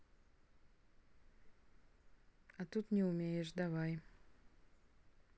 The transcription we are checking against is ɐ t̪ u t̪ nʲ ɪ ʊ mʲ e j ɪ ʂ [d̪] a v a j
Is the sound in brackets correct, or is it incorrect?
correct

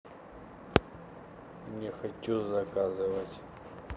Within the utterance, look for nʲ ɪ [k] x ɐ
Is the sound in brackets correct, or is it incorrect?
incorrect: none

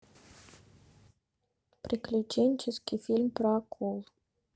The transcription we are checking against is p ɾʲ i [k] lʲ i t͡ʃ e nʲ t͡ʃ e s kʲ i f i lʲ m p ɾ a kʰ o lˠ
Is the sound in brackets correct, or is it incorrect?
correct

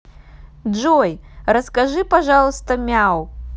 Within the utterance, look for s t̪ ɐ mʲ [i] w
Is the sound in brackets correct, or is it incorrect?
incorrect: a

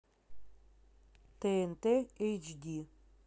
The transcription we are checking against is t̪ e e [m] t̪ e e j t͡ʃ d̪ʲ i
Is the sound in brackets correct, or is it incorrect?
incorrect: n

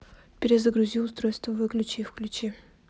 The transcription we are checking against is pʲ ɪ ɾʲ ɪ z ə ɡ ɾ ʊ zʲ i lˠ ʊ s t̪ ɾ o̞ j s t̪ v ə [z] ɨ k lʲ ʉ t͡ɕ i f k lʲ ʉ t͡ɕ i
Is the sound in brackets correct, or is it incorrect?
incorrect: v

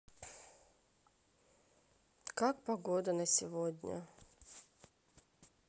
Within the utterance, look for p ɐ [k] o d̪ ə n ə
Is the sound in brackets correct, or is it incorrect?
incorrect: ɡ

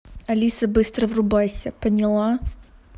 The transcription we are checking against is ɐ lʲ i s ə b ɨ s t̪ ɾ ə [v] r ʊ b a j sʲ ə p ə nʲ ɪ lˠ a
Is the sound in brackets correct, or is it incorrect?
correct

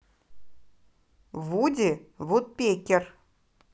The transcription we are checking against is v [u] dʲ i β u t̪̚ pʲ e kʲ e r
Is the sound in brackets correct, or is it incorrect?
correct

